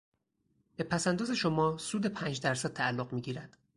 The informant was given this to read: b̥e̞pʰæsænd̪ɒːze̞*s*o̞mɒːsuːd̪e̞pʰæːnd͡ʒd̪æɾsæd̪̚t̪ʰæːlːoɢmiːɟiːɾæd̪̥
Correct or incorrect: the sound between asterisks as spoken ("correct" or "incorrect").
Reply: incorrect